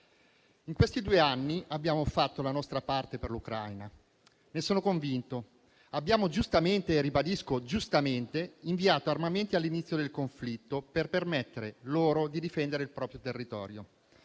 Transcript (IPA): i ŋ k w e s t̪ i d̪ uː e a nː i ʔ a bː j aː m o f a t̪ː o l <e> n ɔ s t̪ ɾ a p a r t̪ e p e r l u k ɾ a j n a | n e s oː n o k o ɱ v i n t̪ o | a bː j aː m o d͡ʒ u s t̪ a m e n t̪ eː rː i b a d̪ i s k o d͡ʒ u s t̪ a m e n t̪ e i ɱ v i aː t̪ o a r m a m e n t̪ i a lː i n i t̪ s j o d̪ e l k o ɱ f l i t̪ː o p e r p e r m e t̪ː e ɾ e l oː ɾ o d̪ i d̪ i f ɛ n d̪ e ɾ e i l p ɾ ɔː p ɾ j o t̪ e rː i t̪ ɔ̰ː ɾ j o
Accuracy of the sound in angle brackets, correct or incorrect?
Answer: incorrect